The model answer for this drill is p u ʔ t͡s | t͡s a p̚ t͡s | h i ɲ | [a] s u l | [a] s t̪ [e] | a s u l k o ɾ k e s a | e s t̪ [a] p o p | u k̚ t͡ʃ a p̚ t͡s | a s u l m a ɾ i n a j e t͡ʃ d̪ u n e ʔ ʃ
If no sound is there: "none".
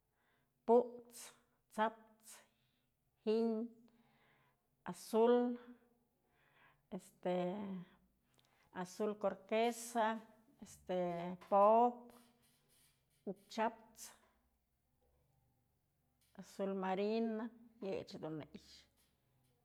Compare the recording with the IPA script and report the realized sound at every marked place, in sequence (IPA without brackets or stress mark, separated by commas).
a, e, e, e